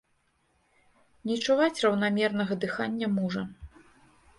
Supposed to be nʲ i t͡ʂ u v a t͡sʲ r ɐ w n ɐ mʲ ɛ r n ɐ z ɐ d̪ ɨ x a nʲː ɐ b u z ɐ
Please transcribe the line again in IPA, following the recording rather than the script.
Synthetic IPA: nʲ i t͡ʂ u v a t͡sʲ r ɐ w n a mʲ ɛ r n ɐ ɣ ɐ d̪ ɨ x a nʲː ɐ m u ʐ ɐ